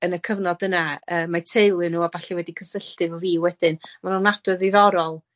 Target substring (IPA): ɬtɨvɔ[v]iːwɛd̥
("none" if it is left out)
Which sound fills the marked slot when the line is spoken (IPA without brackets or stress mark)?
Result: v